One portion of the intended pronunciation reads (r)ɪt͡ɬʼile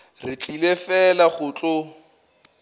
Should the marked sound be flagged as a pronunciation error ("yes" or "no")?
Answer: no